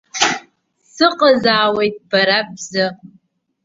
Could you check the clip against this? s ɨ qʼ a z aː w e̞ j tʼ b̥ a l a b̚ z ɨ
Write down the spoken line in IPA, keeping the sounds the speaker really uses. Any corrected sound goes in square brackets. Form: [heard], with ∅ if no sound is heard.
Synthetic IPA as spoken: s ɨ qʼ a z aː w e̞ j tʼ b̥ a [ɾ] a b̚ z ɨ